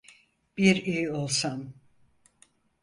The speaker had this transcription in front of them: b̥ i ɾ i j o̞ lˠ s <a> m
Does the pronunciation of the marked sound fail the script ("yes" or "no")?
no